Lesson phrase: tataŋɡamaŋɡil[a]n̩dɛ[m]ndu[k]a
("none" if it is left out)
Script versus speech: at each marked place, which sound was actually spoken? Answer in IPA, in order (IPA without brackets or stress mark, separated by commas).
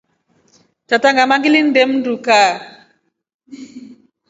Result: i, m, k